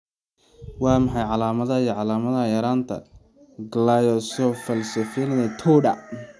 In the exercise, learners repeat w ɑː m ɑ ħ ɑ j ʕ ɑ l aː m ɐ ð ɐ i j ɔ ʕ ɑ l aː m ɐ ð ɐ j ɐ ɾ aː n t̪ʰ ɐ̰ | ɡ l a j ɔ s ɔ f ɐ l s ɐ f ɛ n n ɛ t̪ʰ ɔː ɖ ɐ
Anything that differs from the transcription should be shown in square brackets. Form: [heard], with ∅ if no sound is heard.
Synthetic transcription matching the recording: w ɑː m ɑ ħ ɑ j ʕ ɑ l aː m ɐ ð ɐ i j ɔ ʕ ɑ l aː m ɐ ð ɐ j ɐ ɾ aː n t̪ʰ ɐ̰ | ɡ l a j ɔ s ɔ f ɐ l s ɐ f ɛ n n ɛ t̪ʰ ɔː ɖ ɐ